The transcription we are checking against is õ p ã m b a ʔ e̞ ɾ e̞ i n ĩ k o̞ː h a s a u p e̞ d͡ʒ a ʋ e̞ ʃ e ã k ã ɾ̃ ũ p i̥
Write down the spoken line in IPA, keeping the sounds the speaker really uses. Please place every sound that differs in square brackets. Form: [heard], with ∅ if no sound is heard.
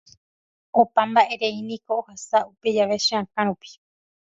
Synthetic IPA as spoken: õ p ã m b a ʔ e̞ ɾ e̞ i n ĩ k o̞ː h a s a u p e̞ d͡ʒ a ʋ e̞ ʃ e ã k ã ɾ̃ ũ p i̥